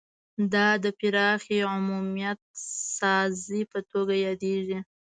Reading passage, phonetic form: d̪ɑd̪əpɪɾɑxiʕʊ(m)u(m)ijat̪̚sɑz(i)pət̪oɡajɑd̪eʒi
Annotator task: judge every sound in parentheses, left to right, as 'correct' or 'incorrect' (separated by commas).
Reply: correct, correct, correct